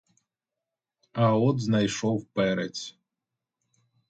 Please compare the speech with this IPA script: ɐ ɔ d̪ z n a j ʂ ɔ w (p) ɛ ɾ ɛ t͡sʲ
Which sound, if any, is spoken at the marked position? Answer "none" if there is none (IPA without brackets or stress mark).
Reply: p